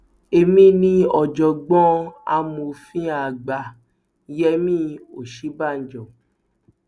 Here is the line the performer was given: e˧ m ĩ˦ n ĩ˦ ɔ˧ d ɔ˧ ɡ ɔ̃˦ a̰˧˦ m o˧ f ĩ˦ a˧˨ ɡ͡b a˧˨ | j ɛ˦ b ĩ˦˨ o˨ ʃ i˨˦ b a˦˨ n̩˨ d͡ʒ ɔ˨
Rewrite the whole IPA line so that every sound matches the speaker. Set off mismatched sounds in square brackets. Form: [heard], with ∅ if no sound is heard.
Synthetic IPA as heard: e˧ m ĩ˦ n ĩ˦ ɔ˧ [d͡ʒ] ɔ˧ [ɡ͡b] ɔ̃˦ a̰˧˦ m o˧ f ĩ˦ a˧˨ ɡ͡b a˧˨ | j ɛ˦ [m] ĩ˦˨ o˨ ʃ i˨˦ b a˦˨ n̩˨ d͡ʒ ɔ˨